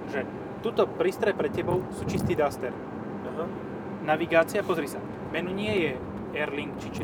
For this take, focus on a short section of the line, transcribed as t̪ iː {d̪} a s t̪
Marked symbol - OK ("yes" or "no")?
yes